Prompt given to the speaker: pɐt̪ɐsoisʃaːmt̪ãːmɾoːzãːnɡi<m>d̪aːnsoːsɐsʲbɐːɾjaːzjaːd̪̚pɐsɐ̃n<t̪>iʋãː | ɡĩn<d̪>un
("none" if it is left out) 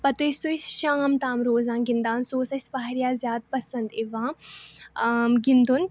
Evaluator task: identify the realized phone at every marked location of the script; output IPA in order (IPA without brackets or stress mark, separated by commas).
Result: n, d̪, d̪